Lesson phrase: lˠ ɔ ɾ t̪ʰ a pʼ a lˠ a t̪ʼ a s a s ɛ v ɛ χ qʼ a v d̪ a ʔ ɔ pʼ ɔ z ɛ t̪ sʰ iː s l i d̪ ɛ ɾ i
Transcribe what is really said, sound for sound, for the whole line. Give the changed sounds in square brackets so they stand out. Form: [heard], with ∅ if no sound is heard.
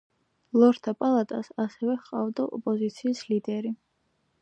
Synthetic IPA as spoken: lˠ ɔ ɾ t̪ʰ a pʼ a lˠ a t̪ʼ a s a s ɛ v ɛ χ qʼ a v d̪ a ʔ ɔ pʼ ɔ z [i] t̪ sʰ iː s l i d̪ ɛ ɾ i